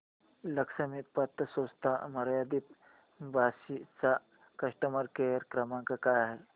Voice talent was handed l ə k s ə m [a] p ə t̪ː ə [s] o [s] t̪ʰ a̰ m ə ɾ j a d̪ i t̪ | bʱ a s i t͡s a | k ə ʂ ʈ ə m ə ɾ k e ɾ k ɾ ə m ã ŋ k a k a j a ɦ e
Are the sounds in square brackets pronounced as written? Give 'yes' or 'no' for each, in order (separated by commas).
no, yes, yes